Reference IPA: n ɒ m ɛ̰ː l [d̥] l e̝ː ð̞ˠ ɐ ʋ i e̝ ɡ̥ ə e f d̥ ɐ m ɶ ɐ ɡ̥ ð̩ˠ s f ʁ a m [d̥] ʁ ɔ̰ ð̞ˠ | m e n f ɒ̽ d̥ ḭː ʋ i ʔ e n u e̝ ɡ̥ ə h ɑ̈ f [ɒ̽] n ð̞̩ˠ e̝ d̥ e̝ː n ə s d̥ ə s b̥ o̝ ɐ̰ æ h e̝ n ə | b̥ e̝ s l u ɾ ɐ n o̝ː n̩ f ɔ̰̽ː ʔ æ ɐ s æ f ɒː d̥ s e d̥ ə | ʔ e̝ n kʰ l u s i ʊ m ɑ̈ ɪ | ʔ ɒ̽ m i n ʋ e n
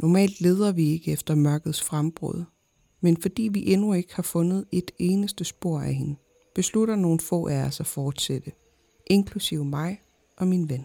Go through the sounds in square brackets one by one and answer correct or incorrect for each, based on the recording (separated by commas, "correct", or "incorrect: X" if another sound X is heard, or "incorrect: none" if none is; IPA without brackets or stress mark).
correct, incorrect: b̥, incorrect: ɔ̽